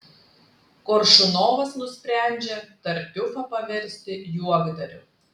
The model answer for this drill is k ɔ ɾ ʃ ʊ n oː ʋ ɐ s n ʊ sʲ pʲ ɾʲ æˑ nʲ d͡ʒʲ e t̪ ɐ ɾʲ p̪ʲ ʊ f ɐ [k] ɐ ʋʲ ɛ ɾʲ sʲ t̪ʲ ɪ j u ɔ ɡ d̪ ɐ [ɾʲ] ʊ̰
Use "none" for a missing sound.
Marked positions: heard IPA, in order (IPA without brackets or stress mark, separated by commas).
p, ɾʲ